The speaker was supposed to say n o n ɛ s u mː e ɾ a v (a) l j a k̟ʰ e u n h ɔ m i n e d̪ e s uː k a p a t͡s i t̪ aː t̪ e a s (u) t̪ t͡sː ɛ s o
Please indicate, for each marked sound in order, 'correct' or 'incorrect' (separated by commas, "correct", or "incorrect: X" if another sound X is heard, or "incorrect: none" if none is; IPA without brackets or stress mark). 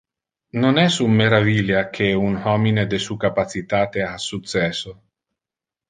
incorrect: i, correct